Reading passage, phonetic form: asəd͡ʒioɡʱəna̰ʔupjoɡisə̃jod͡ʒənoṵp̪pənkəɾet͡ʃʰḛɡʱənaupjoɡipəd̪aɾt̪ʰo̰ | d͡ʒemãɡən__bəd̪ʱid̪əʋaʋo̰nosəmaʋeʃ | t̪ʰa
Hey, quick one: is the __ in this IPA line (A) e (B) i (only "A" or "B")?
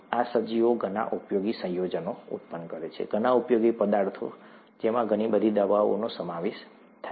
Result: B